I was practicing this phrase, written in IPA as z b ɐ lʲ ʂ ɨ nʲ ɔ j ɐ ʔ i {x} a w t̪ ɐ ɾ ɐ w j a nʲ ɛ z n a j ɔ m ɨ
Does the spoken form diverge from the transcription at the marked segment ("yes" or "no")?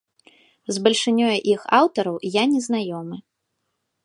no